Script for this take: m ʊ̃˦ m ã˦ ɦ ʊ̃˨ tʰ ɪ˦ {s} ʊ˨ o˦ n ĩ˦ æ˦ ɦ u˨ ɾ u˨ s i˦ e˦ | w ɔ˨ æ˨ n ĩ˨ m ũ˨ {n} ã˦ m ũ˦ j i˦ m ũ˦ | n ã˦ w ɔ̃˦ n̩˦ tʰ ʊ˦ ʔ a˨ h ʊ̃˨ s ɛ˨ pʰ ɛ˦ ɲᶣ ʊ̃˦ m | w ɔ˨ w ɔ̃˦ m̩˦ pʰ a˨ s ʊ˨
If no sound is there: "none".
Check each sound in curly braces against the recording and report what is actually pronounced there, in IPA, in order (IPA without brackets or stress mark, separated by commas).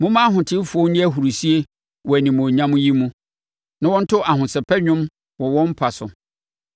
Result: f, ɲ